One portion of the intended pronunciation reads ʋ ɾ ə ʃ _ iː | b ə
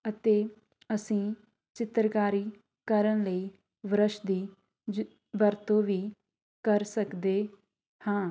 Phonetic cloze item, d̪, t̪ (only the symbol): d̪